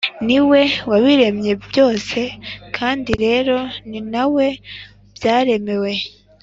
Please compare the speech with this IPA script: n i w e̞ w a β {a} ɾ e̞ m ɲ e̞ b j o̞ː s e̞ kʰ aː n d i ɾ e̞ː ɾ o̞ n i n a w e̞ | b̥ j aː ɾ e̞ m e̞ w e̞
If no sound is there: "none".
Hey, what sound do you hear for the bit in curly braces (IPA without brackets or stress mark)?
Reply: i